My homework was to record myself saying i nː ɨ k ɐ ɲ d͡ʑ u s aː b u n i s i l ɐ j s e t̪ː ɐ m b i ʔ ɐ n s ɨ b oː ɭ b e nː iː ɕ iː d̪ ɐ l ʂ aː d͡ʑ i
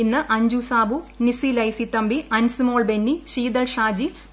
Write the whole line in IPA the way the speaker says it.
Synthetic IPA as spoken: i nː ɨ ʔ ɐ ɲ d͡ʑ u s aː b u n i s i l ɐ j s i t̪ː ɐ m b i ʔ ɐ n s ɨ m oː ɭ b e nː i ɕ iː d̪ ɐ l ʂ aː d͡ʑ i